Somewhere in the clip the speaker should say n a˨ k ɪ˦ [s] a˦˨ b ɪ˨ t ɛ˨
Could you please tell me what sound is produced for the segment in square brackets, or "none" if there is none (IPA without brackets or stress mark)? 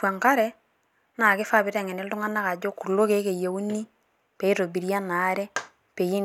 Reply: f